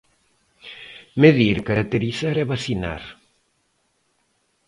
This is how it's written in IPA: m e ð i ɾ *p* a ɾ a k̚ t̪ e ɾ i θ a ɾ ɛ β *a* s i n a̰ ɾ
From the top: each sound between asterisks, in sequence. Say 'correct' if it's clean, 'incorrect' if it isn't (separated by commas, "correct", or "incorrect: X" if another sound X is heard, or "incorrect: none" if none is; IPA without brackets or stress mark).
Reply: incorrect: k, correct